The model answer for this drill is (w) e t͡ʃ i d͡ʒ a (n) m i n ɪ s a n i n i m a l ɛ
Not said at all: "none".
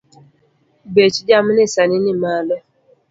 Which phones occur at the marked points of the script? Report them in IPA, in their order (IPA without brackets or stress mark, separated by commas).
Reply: b, none